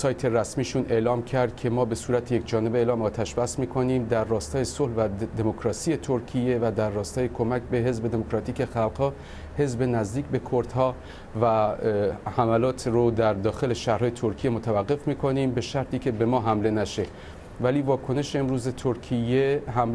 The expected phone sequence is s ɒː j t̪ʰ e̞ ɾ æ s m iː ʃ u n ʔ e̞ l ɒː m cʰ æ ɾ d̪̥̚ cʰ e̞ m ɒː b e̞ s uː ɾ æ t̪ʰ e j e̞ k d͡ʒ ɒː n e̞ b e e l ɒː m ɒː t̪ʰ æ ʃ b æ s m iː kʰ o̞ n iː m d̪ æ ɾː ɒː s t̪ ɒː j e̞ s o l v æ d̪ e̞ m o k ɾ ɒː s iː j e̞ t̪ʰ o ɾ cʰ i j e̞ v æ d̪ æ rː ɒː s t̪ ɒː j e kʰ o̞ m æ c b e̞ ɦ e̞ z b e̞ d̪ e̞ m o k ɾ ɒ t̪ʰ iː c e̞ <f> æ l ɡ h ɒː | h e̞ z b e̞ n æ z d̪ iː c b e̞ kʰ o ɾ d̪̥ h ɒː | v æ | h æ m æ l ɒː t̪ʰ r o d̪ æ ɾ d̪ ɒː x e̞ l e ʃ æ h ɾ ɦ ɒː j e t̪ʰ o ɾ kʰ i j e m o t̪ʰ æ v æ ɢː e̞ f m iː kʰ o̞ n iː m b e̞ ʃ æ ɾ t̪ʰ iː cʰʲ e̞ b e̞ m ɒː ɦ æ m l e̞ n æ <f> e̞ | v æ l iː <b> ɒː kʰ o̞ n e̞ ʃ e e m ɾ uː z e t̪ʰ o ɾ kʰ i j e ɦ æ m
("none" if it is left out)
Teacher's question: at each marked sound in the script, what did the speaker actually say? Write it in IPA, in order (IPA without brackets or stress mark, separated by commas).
x, ʃ, v